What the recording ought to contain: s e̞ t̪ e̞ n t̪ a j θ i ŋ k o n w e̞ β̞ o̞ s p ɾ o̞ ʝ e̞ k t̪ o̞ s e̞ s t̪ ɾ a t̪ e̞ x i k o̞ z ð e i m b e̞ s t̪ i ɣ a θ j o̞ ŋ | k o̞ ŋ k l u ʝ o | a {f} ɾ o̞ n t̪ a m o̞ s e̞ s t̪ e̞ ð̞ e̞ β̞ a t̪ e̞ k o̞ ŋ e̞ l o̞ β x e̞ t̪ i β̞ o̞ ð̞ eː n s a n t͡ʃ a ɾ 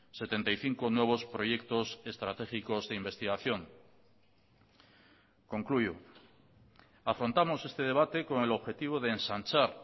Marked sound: correct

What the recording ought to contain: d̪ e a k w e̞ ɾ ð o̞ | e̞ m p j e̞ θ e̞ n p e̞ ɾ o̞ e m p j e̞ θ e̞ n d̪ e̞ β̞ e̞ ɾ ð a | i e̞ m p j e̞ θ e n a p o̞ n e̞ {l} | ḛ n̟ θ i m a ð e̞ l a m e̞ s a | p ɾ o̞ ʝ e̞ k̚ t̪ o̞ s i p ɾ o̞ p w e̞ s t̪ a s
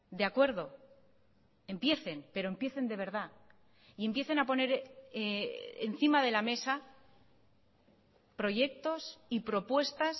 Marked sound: incorrect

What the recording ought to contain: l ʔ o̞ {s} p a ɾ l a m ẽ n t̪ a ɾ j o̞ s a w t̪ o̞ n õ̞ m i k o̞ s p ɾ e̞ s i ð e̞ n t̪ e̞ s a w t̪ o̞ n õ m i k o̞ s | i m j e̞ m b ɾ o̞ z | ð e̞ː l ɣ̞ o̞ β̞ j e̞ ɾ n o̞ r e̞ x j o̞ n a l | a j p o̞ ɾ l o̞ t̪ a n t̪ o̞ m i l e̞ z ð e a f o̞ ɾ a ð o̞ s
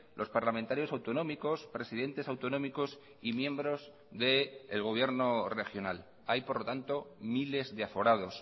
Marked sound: correct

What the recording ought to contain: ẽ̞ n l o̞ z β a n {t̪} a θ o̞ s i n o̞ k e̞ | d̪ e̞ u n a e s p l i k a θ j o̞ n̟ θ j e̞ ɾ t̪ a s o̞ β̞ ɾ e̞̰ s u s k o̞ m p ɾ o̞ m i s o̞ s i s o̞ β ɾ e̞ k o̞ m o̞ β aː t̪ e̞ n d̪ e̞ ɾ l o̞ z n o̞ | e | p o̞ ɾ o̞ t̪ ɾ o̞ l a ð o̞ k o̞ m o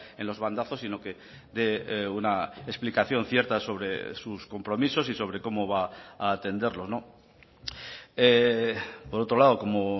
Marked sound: incorrect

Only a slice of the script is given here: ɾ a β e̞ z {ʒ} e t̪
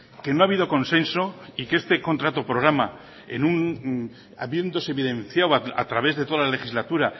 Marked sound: incorrect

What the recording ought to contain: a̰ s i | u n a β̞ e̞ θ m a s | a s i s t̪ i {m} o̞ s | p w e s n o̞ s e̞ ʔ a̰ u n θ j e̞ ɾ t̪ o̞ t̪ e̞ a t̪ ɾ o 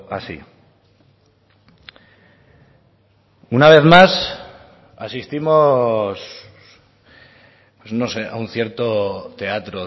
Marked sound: correct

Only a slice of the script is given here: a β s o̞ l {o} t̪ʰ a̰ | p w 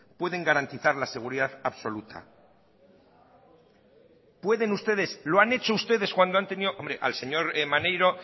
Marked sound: incorrect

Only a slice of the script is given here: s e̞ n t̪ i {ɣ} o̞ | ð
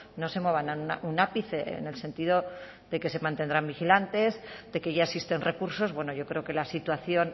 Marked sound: incorrect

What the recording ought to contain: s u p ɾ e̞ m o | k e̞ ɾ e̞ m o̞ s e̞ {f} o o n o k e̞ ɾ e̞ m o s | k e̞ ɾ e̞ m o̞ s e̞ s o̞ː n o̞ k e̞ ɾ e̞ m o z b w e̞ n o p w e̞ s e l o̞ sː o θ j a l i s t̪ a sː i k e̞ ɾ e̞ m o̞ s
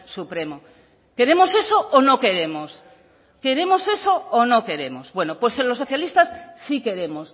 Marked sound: incorrect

